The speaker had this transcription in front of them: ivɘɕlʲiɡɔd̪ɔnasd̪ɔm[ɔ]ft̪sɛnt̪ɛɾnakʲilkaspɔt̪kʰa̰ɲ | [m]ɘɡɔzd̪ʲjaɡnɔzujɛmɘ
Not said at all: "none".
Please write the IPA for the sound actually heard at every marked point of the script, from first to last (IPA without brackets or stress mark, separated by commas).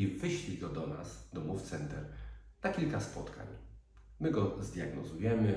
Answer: u, m